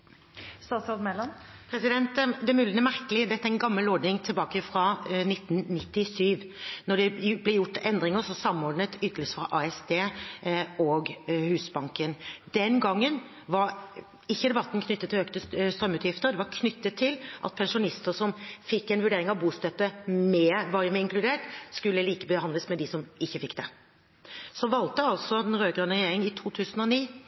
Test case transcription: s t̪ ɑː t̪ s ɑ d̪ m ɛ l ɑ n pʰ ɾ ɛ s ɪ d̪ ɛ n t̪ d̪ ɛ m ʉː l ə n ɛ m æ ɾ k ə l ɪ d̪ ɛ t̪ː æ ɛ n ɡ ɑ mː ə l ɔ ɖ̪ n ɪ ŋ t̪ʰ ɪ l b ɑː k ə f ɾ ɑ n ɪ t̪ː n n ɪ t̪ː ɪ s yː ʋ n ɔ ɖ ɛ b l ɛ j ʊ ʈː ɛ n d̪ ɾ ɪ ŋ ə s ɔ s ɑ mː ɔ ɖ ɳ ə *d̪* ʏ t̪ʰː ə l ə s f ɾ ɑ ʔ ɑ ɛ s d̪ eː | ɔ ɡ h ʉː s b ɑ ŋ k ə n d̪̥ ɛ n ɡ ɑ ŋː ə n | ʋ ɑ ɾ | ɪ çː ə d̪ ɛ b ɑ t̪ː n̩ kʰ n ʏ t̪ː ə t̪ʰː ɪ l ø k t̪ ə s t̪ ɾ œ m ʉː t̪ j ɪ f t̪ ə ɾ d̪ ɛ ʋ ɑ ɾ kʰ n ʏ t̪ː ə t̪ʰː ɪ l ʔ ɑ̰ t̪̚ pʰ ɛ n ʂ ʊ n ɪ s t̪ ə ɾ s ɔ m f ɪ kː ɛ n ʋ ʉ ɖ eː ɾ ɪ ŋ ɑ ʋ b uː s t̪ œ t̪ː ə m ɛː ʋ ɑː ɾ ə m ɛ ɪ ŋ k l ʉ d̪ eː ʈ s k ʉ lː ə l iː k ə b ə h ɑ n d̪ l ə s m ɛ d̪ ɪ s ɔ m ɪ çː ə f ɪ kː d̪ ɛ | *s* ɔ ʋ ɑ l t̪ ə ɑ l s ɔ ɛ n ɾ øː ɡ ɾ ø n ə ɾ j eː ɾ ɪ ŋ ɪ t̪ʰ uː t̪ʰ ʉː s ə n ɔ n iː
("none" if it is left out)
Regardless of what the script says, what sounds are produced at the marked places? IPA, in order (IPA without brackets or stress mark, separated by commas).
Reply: t̪, s